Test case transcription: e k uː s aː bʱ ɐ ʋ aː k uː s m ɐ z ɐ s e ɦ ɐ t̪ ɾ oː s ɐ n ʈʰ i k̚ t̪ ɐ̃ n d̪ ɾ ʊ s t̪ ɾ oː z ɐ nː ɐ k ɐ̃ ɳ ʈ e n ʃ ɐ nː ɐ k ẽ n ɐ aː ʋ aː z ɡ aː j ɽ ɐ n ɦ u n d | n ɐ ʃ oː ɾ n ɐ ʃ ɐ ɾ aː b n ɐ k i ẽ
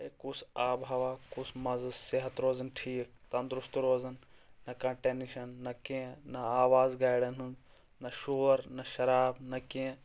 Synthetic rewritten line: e k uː s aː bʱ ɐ ʋ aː k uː s m ɐ z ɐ s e ɦ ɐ t̪ ɾ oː z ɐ n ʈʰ iː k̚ t̪ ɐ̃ n d̪ ɾ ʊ s t̪ ɾ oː z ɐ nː ɐ k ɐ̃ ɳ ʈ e n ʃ ɐ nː ɐ k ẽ n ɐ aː ʋ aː z ɡ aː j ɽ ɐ n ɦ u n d | n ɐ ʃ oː ɾ n ɐ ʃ ɐ ɾ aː b n ɐ k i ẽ